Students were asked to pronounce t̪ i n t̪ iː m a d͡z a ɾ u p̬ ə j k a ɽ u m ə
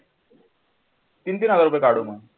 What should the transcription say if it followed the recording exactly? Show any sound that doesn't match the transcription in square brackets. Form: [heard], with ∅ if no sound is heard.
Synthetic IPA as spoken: t̪ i n t̪ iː [n] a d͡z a ɾ u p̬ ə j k a ɽ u m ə